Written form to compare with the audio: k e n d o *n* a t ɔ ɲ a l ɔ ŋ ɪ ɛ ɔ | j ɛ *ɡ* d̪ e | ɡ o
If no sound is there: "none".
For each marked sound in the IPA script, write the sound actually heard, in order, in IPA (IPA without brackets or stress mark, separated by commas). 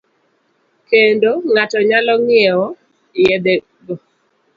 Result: ŋ, none